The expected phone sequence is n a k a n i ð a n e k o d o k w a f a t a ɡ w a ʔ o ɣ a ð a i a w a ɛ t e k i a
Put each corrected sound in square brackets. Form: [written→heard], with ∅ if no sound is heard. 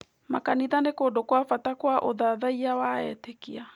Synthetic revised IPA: [n→m] a k a n i ð a n e k o d o k w a f a t a [ɡ→k] w a ʔ o [ɣ→ð] a ð a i a w a ɛ t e k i a